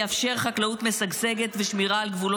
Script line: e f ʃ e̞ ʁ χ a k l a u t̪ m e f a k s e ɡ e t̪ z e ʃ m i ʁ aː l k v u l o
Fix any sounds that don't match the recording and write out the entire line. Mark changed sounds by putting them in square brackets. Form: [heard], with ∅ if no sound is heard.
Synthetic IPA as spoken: [a] f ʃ e̞ ʁ χ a k l a u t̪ m e [s] a [ɡ] s e ɡ e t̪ [v] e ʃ m i ʁ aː l [ɡ] v u l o